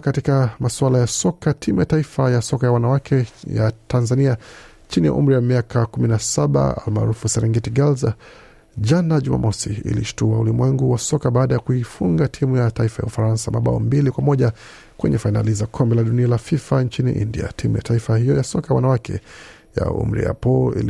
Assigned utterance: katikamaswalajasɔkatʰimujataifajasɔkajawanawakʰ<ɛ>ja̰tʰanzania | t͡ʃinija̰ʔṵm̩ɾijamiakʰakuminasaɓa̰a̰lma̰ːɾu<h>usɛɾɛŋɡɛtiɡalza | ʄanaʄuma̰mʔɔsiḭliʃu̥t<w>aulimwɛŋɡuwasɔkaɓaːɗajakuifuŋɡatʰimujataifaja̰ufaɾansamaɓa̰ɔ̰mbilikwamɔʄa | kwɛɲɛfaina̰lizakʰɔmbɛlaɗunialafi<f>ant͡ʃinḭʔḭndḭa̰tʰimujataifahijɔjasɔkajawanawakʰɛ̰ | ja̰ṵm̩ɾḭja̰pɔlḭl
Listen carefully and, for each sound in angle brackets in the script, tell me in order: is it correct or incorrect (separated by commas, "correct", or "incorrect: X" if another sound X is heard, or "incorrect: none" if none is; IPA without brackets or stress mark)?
correct, incorrect: f, incorrect: u, correct